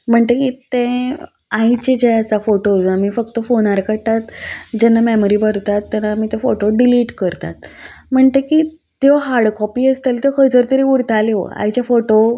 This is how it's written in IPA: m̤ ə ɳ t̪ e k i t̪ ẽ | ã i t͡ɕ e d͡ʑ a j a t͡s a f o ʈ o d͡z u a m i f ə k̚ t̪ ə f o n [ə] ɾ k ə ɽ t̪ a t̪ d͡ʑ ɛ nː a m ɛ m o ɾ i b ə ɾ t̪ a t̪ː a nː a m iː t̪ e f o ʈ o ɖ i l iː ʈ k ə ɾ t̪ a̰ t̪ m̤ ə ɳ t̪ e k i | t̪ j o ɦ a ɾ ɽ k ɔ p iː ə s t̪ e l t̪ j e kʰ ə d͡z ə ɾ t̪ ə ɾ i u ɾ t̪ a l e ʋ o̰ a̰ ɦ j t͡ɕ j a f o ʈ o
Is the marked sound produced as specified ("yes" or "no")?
no